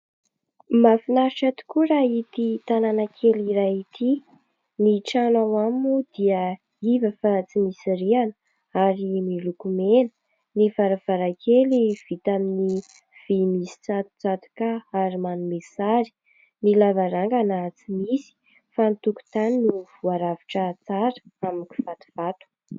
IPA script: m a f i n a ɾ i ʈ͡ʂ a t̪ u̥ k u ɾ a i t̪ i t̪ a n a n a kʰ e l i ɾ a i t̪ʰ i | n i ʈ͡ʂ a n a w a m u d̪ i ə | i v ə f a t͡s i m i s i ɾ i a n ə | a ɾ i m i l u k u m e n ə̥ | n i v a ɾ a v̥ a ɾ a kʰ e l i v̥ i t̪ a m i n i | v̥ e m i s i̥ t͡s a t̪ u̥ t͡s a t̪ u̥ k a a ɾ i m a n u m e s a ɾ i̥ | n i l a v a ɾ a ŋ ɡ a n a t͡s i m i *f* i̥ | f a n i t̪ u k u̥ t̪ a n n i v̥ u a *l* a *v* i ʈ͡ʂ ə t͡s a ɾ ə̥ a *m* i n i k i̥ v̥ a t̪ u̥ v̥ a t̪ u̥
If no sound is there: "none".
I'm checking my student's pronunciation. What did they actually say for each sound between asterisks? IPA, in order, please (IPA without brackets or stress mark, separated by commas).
s, ɾ, v, m